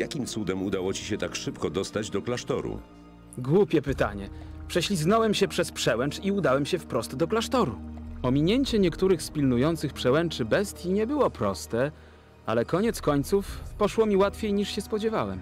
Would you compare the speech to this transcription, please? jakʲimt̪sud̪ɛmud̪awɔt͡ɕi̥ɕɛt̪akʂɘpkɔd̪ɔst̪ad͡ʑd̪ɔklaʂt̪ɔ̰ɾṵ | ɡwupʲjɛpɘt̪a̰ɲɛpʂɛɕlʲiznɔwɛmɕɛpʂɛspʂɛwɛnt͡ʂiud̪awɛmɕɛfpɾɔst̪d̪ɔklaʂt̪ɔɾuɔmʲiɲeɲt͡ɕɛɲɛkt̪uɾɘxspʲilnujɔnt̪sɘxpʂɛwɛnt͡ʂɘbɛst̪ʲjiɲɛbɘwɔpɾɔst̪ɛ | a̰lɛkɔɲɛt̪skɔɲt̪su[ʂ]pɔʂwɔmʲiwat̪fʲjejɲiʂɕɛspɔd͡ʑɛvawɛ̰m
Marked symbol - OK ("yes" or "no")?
no